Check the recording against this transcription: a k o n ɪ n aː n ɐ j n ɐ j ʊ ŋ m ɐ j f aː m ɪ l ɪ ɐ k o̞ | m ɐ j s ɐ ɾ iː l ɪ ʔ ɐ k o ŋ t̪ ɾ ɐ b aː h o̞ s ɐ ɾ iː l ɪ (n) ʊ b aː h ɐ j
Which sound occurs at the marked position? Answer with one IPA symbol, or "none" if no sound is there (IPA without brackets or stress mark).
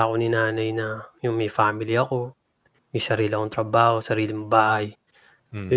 m